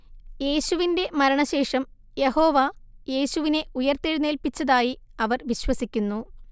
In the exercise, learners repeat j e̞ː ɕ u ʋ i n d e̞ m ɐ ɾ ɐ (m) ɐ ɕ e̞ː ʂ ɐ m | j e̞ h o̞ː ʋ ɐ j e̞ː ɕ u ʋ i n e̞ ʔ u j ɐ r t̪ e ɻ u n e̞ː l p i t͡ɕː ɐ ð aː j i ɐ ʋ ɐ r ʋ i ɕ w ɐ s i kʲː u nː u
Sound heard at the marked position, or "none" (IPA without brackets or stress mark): ɳ